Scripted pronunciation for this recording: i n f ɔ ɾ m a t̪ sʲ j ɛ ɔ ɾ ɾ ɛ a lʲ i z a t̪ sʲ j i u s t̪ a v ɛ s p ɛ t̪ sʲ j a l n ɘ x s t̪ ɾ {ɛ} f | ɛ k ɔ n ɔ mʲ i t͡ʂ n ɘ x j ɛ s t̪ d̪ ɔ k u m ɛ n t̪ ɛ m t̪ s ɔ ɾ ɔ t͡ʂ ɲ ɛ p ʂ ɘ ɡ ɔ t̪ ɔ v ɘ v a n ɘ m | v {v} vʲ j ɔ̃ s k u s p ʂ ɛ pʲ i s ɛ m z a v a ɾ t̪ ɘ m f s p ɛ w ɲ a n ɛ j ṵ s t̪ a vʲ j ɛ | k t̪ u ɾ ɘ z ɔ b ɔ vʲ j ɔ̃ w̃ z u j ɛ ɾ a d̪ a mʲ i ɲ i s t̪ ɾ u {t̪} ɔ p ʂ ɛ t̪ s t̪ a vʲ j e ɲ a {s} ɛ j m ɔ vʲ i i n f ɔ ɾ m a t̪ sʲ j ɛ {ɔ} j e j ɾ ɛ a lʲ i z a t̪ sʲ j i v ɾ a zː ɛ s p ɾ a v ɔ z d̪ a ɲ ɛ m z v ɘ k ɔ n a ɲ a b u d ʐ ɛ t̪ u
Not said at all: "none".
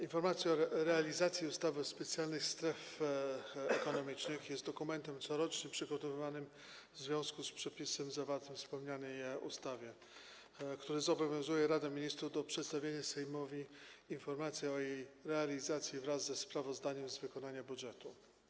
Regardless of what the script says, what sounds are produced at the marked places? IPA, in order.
ɛ, z, d̪, s, ɔ

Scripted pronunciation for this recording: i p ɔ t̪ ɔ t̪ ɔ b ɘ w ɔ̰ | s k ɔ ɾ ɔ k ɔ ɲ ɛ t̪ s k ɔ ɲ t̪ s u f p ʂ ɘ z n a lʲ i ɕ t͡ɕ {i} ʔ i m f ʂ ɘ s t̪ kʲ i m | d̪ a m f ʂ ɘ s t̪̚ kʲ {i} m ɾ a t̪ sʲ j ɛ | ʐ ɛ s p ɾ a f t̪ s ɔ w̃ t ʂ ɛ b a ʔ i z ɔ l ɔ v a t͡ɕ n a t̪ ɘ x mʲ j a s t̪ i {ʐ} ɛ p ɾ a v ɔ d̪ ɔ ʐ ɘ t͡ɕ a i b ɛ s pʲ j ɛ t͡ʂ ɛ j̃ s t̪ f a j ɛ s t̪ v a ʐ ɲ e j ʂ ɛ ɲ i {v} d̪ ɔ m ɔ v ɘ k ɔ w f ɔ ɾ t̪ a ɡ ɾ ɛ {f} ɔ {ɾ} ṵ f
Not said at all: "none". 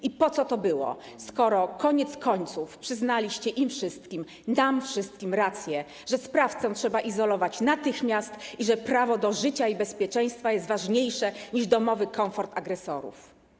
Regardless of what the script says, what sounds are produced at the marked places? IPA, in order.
ɛ, i, ʐ, ʐ, s, ɾ

